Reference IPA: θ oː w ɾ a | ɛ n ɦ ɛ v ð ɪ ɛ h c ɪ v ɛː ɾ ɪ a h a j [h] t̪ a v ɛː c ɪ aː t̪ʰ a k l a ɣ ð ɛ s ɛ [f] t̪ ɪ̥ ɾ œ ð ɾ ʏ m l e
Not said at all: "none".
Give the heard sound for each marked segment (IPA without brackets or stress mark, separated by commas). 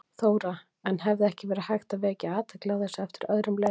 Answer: x, f